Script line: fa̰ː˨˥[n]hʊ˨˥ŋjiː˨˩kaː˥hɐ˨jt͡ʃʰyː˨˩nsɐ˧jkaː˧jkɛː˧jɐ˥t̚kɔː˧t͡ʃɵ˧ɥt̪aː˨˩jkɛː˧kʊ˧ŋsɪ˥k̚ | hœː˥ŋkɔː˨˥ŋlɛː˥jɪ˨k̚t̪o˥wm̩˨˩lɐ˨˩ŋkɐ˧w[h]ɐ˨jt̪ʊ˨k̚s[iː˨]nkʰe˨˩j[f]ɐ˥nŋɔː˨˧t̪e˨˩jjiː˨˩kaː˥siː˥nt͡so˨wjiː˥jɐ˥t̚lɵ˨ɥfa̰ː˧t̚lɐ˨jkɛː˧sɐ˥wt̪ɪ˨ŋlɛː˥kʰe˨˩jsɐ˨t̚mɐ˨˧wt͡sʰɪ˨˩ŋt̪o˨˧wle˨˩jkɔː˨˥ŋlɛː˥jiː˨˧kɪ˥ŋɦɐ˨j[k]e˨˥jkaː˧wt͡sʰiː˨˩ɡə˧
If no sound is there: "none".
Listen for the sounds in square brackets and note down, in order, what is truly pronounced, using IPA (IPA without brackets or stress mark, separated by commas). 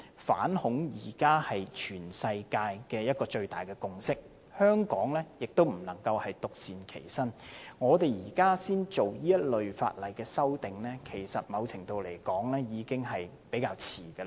n, h, iː˨, s, p